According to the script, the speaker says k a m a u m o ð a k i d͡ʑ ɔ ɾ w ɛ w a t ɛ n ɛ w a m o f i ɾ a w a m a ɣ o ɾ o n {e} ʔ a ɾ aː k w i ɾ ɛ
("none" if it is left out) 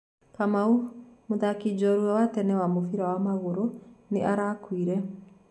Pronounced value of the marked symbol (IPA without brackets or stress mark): e